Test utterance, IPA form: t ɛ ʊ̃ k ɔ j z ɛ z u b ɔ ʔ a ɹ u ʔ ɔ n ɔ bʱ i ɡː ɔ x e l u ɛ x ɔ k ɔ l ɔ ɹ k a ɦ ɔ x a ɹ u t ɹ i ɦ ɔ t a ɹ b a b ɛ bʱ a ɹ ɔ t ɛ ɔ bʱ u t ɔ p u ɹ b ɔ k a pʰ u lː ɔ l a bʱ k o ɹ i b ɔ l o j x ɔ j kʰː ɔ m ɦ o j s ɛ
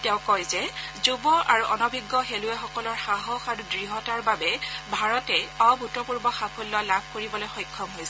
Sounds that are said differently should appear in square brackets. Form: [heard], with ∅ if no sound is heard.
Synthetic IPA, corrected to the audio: t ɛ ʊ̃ k ɔ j z ɛ z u b ɔ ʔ a ɹ u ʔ ɔ n ɔ bʱ i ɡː ɔ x e l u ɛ x ɔ k ɔ l ɔ ɹ [x] a ɦ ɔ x a ɹ u [d] ɹ i ɦ ɔ t a ɹ b a b ɛ bʱ a ɹ ɔ t ɛ ɔ bʱ u t ɔ p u ɹ b ɔ [x] a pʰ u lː ɔ l a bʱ k o ɹ i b ɔ l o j x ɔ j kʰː ɔ m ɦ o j s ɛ